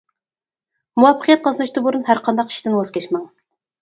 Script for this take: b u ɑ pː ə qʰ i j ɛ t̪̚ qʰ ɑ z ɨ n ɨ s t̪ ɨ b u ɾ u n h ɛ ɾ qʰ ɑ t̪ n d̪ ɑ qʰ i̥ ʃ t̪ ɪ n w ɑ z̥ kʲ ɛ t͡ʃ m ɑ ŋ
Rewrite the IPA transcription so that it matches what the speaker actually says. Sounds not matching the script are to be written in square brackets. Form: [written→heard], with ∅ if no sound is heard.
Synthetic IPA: [b→m] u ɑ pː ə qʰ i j ɛ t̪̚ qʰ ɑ z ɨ n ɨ [s→ʃ] t̪ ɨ b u ɾ u n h [ɛ→æ] ɾ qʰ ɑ [t̪→∅] n d̪ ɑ [qʰ→q] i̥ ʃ t̪ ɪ n w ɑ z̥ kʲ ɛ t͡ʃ m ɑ ŋ